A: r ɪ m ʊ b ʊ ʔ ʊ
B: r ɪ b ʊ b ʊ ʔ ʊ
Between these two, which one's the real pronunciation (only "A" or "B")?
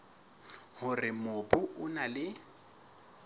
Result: A